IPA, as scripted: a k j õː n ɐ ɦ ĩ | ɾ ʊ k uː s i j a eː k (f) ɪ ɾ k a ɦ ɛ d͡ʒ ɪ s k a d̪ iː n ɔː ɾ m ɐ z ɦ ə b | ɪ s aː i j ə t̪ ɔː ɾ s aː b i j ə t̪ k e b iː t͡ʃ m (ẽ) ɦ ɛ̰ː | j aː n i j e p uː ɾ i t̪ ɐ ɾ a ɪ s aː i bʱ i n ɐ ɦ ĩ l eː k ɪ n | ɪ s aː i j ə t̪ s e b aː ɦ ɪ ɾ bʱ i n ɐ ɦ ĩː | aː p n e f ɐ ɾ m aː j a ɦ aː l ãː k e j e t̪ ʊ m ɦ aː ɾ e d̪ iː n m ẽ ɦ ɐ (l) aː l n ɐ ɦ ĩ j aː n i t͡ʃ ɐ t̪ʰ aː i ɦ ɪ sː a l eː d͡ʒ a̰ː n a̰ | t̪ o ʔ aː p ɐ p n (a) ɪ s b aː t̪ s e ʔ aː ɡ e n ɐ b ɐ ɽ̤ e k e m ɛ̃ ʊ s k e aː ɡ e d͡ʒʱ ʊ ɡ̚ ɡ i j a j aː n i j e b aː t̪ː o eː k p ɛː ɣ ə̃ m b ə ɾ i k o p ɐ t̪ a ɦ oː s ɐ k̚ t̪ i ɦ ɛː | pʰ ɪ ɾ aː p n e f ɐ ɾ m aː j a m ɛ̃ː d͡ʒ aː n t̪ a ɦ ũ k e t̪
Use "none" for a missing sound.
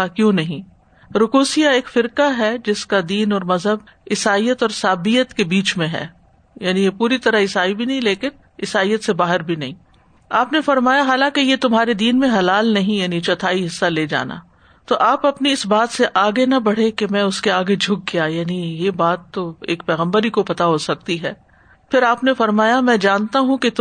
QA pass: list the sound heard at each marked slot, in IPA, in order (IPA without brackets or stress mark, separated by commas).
f, ẽ, l, i